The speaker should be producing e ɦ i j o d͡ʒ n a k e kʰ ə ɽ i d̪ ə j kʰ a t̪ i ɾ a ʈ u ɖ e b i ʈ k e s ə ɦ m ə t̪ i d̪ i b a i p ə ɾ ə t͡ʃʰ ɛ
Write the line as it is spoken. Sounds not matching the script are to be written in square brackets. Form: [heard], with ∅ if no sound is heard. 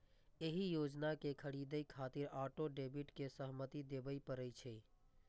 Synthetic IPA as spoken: e ɦ i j o d͡ʒ n a k e kʰ ə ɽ i d̪ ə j kʰ a t̪ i ɾ a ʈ [o] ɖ e b i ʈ k e s ə ɦ m ə t̪ i d̪ [e] b [ə] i p ə ɾ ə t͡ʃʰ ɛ